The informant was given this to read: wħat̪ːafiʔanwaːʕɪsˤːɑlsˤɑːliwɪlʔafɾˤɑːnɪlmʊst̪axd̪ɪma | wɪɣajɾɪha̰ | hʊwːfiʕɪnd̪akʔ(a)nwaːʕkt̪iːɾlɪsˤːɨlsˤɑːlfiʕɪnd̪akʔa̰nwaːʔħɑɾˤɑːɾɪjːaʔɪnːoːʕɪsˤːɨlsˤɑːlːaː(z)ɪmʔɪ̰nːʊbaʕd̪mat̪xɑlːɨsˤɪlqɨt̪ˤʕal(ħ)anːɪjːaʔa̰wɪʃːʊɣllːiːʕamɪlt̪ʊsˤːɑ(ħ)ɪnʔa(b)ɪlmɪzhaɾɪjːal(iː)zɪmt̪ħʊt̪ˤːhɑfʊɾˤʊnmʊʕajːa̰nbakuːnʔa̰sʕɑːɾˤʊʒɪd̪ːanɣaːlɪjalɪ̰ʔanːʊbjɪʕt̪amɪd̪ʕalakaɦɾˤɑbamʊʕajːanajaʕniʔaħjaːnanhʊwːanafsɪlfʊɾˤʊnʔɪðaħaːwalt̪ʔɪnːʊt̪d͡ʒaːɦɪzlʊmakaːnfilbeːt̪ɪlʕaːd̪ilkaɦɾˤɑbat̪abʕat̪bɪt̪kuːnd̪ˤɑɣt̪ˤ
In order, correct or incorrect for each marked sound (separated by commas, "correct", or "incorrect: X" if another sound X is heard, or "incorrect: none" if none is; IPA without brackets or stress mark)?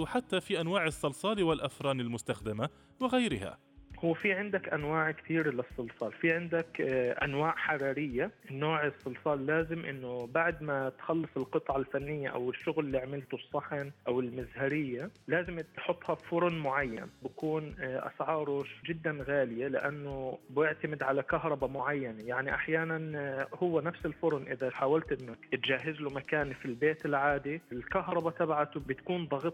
correct, correct, incorrect: f, correct, incorrect: w, incorrect: aː